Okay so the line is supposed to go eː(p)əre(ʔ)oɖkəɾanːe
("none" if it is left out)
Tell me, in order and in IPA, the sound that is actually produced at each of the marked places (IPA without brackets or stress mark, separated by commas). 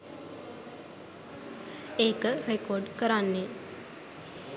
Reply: k, k